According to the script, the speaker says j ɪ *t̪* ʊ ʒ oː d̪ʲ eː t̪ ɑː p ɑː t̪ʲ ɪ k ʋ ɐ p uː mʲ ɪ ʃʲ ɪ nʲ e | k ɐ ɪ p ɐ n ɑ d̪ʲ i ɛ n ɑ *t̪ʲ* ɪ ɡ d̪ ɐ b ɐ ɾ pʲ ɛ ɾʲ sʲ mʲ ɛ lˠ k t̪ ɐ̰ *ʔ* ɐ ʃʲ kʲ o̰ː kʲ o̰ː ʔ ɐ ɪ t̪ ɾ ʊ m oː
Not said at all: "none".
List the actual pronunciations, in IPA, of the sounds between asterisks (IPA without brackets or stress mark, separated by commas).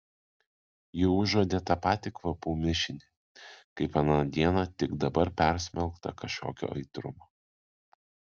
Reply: none, t̪ʲ, k